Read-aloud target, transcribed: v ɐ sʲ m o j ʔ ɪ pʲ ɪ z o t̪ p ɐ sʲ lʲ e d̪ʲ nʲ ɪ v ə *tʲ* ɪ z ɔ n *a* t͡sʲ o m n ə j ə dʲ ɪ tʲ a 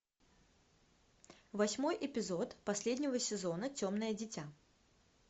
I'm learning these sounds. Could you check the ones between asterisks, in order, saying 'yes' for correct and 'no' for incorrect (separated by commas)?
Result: no, no